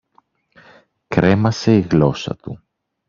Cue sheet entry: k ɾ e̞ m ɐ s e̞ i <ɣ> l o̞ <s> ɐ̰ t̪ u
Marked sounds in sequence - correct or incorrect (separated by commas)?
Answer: correct, correct